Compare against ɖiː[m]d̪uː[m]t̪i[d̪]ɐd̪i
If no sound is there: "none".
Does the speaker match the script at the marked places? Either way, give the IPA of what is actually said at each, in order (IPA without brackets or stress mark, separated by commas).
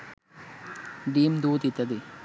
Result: m, none, t̪